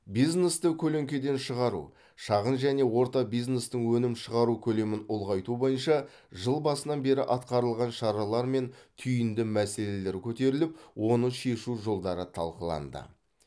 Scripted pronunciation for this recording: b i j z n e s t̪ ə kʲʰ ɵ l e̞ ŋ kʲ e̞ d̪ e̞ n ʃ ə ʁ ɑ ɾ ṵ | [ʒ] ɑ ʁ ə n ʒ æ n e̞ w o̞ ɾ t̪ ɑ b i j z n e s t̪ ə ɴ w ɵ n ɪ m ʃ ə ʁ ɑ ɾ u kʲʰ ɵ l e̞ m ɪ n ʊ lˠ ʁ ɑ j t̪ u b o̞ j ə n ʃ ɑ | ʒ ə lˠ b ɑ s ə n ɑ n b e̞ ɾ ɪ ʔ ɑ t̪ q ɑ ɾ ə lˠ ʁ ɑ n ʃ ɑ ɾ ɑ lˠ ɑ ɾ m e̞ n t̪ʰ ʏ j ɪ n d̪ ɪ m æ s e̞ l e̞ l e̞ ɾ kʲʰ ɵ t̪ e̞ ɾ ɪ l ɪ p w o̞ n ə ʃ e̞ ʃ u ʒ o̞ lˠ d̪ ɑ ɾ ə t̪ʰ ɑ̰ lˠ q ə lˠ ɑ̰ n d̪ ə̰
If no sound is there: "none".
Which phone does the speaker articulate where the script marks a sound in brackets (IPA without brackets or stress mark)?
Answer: ʃ